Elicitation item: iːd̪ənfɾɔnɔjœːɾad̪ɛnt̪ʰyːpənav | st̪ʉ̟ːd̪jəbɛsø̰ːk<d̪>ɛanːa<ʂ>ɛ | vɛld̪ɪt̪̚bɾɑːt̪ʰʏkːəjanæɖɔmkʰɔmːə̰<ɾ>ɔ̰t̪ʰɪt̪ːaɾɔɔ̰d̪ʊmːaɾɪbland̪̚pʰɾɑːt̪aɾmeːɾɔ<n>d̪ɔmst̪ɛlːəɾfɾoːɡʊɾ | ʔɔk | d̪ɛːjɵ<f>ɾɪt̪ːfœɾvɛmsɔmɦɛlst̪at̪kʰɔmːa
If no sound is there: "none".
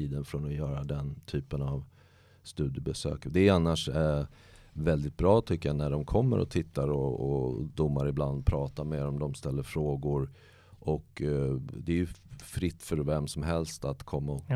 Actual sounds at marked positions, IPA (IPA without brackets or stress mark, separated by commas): d̪, ʂ, ɾ, m, f